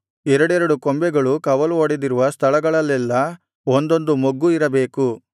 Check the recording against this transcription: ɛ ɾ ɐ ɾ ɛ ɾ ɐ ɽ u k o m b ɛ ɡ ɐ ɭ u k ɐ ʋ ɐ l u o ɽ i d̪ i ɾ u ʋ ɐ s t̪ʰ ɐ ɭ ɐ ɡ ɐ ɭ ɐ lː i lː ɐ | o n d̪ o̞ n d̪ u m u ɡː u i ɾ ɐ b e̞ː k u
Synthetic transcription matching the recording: ɛ ɾ ɐ ɽ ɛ ɾ ɐ ɽ u k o m b ɛ ɡ ɐ ɭ u k ɐ ʋ ɐ l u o ɽ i d̪ i ɾ u ʋ ɐ s t̪ʰ ɐ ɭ ɐ ɡ ɐ ɭ ɐ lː ɛ lː ɐ | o n d̪ o̞ n d̪ u m o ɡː u i ɾ ɐ b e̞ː k u